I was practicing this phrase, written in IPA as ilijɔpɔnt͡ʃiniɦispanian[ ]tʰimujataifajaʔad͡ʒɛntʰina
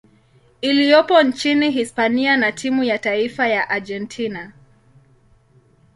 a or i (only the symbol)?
a